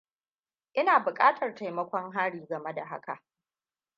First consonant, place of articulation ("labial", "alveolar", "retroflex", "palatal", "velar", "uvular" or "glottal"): glottal